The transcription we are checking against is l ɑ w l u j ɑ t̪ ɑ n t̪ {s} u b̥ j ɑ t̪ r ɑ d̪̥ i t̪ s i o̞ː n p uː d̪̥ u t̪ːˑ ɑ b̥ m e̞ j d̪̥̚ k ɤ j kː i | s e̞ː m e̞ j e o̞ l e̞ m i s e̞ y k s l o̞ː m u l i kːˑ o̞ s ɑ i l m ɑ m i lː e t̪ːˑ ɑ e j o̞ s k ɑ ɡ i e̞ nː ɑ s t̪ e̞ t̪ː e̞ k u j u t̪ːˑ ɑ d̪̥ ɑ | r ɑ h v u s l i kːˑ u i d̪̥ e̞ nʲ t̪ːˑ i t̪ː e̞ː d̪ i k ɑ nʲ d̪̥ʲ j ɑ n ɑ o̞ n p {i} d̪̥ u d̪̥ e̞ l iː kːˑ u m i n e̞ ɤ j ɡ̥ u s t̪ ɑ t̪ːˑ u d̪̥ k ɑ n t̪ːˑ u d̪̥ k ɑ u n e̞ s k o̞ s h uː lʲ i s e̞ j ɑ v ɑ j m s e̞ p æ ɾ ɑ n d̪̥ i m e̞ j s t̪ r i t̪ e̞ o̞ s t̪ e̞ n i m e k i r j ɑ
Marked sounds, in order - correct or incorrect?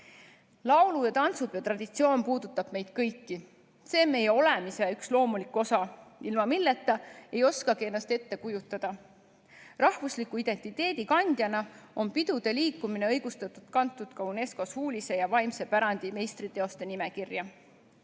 correct, correct

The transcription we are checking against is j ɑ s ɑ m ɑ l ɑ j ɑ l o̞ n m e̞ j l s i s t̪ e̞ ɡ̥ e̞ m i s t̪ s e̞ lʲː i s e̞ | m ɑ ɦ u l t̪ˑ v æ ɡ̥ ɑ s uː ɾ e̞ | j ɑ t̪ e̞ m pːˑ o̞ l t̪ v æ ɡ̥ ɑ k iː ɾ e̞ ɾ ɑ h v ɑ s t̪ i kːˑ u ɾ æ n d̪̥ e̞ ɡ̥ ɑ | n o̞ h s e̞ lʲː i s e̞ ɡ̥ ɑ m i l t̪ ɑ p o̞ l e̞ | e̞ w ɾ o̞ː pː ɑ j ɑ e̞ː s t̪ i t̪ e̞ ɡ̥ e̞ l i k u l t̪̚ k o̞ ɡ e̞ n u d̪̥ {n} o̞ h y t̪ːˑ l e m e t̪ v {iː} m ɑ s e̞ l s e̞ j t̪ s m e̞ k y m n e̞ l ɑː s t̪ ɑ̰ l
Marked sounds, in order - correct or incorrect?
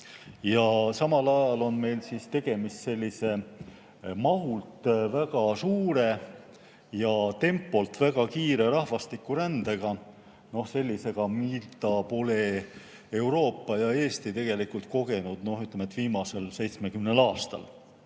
correct, correct

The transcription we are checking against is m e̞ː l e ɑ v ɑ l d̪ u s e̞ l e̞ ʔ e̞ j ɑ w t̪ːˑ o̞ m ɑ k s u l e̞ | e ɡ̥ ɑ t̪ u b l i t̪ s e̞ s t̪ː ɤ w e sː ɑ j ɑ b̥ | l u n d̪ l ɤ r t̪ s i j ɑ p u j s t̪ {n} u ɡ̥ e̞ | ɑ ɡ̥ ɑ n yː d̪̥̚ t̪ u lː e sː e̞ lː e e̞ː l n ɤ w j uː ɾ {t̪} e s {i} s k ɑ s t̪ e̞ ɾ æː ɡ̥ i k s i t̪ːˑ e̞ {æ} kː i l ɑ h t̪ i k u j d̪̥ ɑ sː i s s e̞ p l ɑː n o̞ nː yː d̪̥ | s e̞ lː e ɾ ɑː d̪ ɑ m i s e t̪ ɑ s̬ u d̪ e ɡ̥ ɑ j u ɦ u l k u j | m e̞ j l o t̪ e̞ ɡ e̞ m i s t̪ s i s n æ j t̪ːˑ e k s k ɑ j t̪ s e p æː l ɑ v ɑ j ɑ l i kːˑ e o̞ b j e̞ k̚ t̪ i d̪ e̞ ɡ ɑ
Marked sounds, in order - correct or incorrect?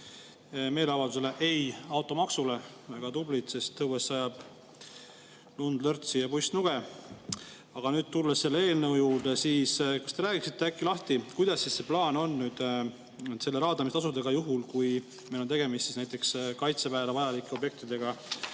correct, incorrect: d̪, incorrect: iː, correct

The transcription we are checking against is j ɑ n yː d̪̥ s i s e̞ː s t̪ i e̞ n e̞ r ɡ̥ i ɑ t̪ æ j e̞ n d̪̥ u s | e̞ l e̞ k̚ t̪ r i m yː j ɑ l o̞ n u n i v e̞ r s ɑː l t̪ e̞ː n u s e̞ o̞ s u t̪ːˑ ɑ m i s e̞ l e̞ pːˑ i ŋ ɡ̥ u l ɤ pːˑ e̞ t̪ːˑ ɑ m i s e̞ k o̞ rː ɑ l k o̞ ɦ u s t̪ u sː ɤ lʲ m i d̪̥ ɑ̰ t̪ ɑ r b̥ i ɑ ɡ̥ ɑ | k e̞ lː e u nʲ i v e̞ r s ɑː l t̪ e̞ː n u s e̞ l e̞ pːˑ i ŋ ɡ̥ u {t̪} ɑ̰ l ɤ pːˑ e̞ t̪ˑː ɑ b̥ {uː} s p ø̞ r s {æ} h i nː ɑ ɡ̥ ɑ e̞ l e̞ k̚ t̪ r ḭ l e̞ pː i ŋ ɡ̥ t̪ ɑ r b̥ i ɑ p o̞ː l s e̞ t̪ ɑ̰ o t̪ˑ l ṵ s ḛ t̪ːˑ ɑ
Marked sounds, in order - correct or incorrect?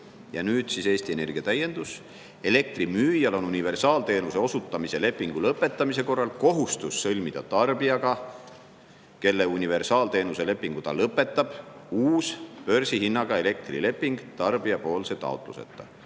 correct, correct, incorrect: i

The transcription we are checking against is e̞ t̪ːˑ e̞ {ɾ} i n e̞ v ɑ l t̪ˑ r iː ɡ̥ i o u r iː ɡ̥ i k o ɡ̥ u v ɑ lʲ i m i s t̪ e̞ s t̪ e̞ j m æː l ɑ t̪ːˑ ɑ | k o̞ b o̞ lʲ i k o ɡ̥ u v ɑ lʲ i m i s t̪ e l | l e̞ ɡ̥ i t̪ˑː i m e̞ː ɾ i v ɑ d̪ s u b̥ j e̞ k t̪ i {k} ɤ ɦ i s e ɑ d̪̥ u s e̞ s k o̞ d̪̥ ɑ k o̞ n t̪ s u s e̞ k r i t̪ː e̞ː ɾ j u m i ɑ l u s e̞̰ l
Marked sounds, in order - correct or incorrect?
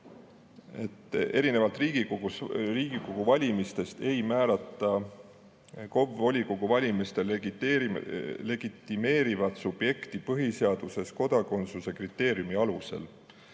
correct, incorrect: p

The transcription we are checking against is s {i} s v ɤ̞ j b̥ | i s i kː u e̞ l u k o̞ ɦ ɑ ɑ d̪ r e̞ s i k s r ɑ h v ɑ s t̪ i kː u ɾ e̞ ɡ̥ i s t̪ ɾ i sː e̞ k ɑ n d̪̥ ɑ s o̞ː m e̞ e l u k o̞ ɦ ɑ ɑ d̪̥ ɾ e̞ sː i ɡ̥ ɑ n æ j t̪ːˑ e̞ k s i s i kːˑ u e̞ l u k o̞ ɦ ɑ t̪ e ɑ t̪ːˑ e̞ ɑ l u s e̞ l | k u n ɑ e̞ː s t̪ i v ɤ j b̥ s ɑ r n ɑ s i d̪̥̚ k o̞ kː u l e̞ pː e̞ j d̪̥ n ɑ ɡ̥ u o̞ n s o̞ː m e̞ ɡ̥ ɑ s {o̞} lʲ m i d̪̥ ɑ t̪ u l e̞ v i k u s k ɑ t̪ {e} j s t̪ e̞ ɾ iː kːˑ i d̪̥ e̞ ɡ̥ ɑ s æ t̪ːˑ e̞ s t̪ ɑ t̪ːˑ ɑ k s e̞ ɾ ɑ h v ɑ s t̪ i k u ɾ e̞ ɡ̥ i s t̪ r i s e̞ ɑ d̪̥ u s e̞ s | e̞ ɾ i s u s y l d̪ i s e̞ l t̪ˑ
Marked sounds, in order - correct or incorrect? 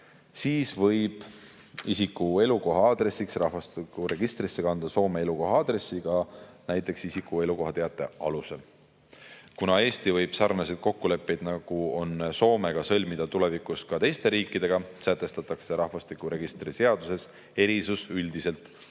incorrect: iː, incorrect: ɤ̞, correct

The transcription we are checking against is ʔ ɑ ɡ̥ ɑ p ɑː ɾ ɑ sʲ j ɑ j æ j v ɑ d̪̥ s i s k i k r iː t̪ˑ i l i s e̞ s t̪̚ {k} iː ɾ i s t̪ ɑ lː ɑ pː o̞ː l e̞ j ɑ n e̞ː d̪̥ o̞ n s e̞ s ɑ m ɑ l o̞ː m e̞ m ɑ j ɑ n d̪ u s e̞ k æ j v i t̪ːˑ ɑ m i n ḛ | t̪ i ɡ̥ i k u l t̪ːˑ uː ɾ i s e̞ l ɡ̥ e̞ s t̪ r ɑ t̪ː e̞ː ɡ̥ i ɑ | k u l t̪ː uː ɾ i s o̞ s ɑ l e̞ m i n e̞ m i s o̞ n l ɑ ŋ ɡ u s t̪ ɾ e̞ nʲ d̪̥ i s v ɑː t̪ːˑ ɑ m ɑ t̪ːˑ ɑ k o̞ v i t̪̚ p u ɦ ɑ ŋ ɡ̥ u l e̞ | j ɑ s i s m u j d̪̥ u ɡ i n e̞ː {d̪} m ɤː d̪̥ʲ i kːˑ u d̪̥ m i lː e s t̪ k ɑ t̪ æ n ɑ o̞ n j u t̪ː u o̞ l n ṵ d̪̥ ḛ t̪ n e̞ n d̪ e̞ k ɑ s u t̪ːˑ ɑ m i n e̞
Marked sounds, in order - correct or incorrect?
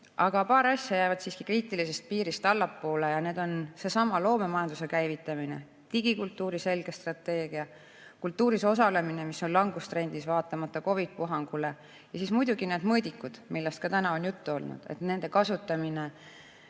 incorrect: p, correct

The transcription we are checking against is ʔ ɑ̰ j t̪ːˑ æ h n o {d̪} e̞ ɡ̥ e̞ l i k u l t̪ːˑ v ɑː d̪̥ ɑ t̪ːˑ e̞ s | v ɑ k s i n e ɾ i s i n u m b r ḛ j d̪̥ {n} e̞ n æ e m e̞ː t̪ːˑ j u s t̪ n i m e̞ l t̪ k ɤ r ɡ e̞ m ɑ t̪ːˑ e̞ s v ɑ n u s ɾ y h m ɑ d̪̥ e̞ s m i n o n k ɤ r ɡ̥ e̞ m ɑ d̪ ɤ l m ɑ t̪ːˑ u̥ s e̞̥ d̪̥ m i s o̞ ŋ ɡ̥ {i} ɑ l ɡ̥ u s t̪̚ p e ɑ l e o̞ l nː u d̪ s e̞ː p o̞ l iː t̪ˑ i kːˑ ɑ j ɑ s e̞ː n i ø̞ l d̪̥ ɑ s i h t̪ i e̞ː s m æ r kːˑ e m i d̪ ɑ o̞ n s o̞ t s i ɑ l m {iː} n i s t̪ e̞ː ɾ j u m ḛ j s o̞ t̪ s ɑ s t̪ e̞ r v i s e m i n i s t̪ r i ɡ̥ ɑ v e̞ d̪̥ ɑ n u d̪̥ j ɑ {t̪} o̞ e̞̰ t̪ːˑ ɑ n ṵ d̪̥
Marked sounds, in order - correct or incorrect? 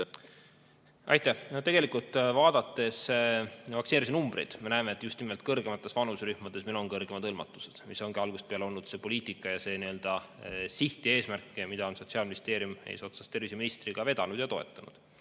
incorrect: t̪, incorrect: m, correct, incorrect: i, correct

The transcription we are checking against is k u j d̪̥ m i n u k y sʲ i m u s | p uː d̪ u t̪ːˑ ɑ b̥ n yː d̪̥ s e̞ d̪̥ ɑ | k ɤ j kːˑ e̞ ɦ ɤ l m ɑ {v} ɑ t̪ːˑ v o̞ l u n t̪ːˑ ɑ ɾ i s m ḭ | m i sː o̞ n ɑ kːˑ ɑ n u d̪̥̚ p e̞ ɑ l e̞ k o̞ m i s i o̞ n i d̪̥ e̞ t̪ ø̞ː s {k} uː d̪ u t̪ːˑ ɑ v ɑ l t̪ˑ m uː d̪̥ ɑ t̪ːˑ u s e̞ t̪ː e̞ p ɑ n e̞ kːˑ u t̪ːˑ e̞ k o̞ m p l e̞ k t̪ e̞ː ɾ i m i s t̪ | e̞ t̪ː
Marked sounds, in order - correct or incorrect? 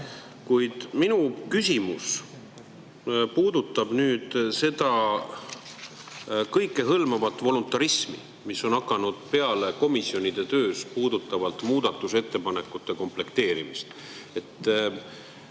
correct, incorrect: p

